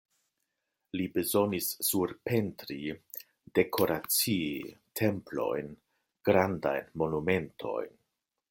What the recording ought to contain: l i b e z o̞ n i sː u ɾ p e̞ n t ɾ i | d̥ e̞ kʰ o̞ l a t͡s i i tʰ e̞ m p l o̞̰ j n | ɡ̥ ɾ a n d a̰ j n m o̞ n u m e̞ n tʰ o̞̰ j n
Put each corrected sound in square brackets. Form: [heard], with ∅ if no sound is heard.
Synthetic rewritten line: l i b e z o̞ n i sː u ɾ p e̞ n t ɾ i | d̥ e̞ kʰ o̞ [ɾ] a t͡s i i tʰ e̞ m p l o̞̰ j n | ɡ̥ ɾ a n d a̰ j n m o̞ n u m e̞ n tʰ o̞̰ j n